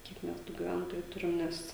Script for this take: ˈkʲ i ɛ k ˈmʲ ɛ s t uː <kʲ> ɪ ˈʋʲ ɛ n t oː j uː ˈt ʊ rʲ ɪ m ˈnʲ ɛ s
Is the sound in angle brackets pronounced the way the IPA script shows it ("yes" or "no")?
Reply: no